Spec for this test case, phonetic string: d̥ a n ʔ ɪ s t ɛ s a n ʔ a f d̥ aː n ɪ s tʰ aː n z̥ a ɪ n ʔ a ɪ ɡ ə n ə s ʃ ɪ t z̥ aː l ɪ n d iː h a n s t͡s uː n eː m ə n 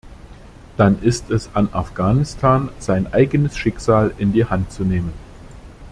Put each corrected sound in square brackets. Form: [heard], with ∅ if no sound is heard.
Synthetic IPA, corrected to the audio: d̥ a n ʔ ɪ s t ɛ s a n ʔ a f [ɡ̥] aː n ɪ s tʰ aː n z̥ a ɪ n ʔ a ɪ ɡ ə n ə s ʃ ɪ [k] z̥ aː l ɪ n d iː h a n [t] t͡s [u] n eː m ə n